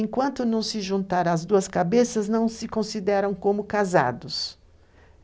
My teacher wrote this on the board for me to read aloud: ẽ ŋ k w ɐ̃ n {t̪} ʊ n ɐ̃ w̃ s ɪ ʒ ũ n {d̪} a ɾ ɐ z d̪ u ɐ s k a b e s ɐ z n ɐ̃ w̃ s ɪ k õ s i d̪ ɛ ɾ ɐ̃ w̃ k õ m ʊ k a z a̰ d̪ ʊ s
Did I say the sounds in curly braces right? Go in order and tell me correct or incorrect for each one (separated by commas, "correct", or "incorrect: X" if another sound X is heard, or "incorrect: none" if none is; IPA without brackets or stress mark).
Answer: correct, incorrect: t̪